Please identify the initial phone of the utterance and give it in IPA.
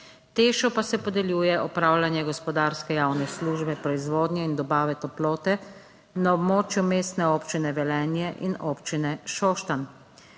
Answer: t̪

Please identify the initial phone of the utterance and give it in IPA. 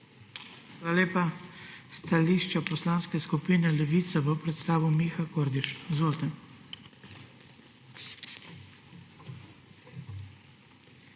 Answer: x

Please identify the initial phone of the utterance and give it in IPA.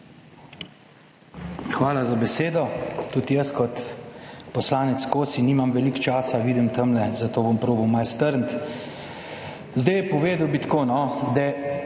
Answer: x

